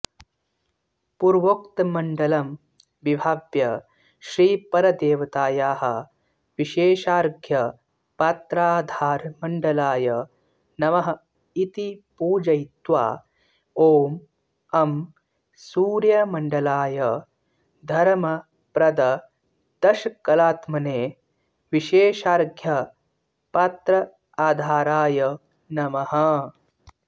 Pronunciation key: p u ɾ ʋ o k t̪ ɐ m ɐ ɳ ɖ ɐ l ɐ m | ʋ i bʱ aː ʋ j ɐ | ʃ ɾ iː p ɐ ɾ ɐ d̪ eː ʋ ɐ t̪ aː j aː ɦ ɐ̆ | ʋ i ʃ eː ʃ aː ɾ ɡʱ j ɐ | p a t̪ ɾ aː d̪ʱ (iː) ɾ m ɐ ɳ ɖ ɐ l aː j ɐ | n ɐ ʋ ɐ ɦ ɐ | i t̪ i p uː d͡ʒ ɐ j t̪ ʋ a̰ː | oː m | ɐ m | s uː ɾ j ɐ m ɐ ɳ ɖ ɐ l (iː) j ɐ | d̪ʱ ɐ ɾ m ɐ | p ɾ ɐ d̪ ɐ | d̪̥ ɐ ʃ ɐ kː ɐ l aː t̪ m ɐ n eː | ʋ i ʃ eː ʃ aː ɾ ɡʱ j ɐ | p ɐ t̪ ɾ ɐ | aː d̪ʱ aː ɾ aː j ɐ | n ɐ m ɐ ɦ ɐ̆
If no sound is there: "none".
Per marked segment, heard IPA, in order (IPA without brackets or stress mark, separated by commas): aː, aː